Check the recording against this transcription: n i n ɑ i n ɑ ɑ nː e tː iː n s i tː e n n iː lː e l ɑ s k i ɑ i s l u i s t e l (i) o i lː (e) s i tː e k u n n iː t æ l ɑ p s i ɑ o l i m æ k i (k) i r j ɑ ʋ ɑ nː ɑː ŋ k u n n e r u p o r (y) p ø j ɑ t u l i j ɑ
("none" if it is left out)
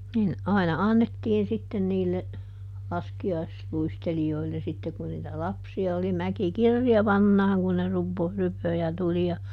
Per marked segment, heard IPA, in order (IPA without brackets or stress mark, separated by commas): i, e, k, y